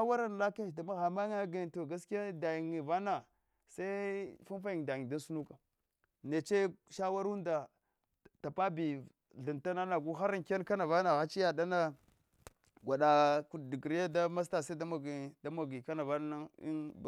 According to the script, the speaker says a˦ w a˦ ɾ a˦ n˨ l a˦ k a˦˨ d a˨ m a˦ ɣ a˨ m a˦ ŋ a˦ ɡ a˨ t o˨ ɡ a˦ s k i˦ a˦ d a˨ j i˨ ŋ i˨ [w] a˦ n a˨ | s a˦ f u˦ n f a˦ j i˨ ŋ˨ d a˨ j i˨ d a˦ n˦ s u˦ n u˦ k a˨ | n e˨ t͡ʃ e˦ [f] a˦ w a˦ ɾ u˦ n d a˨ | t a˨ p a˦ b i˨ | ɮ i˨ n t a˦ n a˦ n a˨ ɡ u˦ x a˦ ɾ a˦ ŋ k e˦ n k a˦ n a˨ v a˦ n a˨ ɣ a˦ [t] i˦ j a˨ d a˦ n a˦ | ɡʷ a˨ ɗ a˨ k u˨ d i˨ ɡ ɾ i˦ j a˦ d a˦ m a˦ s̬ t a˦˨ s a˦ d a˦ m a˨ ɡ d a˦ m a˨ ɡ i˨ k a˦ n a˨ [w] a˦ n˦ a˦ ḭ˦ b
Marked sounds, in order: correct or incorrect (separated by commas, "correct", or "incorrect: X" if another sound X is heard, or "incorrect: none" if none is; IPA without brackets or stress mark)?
incorrect: v, incorrect: ʃ, incorrect: t͡ʃ, incorrect: v